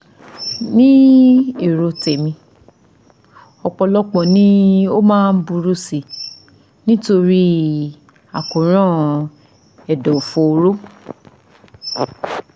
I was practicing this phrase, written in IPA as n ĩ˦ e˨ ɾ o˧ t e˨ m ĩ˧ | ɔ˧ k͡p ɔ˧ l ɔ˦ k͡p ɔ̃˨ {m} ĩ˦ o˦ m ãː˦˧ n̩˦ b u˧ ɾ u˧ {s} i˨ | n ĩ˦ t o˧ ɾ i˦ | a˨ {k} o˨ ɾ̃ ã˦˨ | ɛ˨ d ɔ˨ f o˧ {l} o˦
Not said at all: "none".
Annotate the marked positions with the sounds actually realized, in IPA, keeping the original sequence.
n, s, k, ɾ

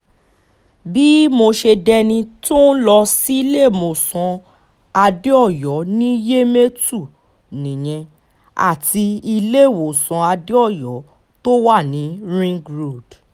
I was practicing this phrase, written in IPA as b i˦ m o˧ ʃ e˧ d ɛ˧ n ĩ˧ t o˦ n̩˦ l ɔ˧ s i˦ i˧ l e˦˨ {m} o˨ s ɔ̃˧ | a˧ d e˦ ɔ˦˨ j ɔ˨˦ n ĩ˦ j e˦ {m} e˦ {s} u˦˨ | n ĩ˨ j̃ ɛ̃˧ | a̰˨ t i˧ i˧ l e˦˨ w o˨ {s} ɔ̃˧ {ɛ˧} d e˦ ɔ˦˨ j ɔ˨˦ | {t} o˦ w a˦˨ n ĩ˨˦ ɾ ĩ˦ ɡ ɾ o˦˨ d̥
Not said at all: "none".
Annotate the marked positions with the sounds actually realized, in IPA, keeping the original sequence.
m, m, t, s, a˧, t

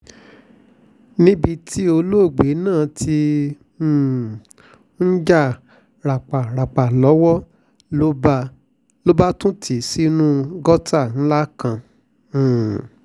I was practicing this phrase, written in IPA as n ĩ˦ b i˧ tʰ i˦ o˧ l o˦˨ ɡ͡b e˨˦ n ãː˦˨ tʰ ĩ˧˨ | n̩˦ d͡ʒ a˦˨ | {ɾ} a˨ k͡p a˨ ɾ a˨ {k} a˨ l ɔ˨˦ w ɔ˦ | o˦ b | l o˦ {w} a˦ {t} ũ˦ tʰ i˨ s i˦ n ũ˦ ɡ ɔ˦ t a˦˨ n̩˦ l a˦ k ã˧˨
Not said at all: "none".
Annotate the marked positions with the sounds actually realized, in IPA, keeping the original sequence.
ɾ, k͡p, b, t

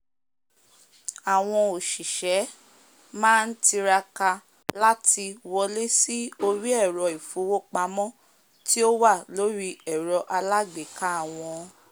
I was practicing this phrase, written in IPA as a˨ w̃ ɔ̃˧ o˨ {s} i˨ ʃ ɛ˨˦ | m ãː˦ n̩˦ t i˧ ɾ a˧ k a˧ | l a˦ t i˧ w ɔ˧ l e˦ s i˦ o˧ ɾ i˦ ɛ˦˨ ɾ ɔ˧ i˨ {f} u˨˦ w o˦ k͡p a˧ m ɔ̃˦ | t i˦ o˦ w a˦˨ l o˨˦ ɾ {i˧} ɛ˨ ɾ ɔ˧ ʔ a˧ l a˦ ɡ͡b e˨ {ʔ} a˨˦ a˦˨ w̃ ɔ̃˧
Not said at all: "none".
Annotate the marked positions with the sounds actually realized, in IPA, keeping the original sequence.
ʃ, f, i˧, k

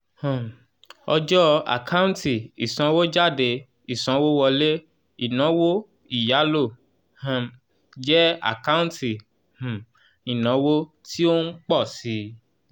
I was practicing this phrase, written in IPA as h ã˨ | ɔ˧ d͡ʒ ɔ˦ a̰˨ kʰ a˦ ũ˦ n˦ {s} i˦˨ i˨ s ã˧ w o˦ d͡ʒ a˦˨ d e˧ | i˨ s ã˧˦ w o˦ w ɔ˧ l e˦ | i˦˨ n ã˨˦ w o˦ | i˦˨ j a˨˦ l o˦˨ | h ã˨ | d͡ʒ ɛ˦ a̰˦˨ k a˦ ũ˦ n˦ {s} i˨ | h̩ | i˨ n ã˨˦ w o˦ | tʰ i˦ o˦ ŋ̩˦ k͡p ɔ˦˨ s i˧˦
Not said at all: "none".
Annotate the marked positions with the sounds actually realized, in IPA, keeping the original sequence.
t, t

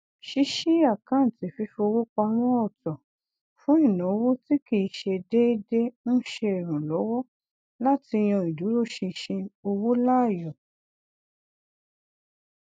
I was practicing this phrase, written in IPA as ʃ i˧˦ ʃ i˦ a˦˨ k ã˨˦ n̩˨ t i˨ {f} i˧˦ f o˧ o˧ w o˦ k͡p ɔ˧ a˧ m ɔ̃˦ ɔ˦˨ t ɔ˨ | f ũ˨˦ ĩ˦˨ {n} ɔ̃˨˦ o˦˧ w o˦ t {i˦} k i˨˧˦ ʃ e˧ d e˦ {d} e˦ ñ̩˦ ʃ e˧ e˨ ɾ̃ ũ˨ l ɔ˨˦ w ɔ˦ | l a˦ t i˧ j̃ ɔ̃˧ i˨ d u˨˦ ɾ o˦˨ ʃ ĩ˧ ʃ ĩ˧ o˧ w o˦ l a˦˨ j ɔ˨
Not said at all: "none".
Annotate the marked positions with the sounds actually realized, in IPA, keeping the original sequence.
f, n, i˦, d

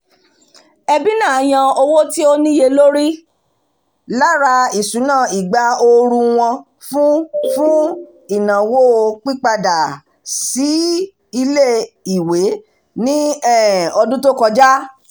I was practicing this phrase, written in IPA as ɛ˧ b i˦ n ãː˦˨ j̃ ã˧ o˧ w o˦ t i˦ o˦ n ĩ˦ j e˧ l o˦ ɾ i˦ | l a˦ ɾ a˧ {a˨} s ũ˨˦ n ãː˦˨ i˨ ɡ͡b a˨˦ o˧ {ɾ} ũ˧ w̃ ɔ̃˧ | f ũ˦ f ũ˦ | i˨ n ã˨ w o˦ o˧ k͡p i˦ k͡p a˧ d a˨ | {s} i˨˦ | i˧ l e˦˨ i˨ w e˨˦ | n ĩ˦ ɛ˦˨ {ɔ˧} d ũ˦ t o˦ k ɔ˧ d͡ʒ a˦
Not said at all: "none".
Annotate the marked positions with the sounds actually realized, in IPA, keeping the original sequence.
i˨, ɾ, s, ɔ˧

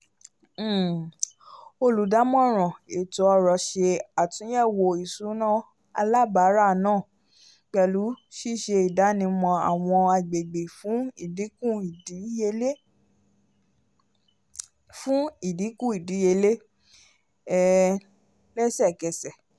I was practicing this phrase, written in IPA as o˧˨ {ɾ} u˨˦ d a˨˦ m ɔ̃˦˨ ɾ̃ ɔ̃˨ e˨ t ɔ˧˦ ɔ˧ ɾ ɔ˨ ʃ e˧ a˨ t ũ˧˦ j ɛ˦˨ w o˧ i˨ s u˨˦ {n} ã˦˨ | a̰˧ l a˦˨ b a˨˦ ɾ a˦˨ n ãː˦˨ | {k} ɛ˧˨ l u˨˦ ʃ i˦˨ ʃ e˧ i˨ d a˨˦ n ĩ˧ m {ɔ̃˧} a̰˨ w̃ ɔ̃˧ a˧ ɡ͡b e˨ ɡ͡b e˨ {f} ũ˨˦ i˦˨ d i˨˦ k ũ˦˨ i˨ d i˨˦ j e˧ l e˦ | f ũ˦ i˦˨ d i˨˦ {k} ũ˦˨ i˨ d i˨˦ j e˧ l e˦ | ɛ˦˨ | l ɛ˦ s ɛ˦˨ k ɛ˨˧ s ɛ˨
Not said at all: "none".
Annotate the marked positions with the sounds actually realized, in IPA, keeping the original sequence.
l, n, k͡p, ɔ̃˧, f, k

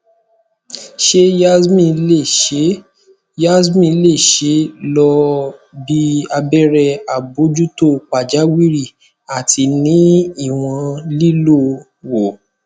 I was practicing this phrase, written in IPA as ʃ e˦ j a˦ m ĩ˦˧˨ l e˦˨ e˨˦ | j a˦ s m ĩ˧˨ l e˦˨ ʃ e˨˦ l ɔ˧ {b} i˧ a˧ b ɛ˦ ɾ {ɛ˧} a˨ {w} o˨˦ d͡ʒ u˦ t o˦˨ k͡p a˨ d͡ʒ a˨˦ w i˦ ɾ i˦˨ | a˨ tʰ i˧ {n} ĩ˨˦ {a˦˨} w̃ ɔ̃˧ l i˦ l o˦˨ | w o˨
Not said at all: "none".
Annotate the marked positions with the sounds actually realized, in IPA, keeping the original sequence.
b, ɛ˧, b, n, i˦˨

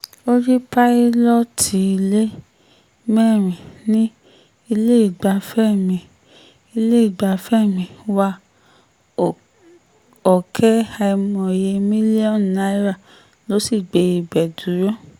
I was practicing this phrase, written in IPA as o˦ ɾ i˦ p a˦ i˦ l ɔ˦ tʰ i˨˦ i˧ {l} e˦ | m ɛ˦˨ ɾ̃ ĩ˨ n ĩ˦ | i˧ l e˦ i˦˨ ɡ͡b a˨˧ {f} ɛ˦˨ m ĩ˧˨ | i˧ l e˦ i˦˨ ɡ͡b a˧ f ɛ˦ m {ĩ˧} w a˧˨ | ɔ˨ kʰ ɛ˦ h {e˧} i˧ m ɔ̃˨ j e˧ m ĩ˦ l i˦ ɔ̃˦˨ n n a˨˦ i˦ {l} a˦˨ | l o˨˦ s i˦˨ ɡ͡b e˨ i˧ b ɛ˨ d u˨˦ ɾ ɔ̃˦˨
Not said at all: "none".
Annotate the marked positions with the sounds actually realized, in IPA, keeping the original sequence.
l, f, ĩ˧, a˧, ɾ

